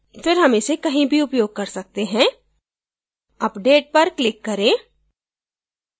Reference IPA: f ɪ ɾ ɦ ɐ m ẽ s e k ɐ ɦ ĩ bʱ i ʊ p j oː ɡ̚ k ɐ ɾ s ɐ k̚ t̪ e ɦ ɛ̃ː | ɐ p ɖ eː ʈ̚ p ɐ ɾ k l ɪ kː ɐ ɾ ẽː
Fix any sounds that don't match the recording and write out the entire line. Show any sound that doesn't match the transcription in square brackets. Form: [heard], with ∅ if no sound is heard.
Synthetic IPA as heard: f ɪ ɾ ɦ ɐ m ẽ s e k ɐ ɦ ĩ bʱ i ʊ p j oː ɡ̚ k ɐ ɾ s ɐ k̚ t̪ e ɦ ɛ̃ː | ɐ p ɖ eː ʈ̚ p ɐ ɾ k l ɪ kː ɐ ɾ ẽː